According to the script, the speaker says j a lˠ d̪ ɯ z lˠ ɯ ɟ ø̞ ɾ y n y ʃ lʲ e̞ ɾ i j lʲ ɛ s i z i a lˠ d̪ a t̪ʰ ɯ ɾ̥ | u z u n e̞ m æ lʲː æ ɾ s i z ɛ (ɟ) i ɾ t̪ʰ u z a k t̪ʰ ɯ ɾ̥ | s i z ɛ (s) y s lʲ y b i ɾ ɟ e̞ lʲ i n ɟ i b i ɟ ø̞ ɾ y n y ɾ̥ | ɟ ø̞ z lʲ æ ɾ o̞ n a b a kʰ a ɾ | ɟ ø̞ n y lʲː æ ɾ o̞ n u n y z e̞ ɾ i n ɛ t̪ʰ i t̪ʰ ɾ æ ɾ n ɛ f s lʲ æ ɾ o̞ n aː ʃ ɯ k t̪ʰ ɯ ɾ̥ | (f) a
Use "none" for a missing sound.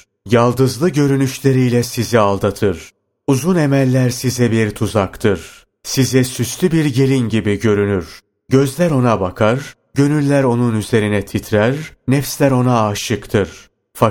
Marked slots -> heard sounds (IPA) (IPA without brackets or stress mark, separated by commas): b, s, f